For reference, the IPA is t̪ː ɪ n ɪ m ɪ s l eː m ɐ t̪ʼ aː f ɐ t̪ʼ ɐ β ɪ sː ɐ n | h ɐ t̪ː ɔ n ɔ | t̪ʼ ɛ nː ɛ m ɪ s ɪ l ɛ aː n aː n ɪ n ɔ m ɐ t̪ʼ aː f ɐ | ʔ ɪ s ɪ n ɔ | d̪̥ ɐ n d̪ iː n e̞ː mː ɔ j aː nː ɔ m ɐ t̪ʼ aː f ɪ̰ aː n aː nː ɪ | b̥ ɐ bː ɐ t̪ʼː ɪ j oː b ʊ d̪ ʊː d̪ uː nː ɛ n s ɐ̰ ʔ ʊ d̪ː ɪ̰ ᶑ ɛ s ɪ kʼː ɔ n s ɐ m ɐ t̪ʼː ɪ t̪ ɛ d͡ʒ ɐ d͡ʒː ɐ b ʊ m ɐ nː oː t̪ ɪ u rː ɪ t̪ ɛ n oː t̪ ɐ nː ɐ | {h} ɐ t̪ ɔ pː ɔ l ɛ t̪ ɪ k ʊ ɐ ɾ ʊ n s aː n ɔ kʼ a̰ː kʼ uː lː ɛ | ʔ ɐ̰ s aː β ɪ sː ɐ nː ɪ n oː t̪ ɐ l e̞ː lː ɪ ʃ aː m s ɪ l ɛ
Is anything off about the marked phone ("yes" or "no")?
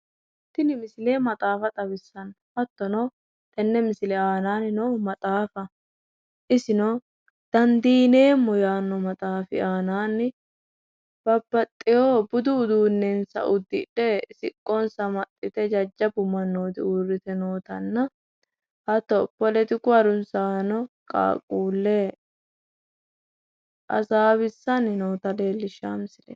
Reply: no